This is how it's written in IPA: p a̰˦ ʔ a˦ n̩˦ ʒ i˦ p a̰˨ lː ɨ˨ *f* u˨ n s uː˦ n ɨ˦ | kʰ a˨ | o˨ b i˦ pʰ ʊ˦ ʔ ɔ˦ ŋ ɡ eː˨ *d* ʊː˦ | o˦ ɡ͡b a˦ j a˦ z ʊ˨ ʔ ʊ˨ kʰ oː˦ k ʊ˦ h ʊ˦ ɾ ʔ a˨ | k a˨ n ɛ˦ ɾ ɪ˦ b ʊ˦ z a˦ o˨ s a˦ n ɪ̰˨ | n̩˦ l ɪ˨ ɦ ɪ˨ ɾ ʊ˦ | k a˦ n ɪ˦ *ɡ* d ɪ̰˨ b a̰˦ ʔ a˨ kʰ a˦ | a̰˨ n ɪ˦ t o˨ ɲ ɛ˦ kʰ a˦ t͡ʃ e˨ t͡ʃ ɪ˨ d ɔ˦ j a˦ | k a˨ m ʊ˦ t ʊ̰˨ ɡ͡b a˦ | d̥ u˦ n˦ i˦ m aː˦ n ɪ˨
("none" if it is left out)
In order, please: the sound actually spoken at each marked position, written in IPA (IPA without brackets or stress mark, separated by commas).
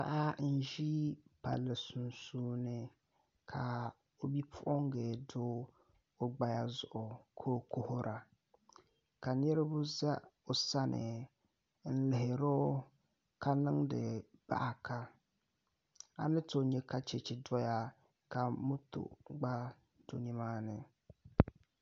s, d, ŋ